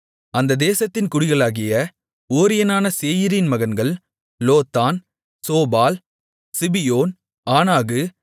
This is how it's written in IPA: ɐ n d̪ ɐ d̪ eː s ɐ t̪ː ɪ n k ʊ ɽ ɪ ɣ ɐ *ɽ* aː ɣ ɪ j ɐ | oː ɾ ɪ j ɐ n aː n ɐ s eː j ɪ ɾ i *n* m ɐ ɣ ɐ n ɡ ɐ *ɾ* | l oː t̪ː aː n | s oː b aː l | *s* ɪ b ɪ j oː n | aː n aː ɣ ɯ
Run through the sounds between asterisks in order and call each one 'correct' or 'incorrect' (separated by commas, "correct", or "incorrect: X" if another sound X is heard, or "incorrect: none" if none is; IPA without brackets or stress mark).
incorrect: ɭ, correct, incorrect: ɭ, correct